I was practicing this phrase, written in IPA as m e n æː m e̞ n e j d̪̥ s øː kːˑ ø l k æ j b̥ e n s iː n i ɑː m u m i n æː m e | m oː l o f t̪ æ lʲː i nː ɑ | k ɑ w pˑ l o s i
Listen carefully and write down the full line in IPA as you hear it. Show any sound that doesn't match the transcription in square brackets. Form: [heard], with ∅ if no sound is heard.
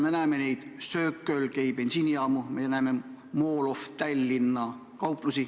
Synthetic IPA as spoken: m e n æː m e̞ n e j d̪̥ s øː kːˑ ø l k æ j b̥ e n s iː n i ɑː m u m [e] n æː m e | m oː l o f t̪ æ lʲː i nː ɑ | k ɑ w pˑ l [u] s i